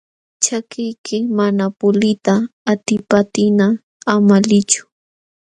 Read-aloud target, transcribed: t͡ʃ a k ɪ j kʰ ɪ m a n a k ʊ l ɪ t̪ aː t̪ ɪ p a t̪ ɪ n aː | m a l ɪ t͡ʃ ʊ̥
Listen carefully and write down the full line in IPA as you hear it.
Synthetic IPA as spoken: t͡ʃ a k ɪ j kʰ ɪ m a n a p ʊ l ɪ t̪ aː t̪ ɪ p a t̪ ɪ n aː | m a l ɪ t͡ʃ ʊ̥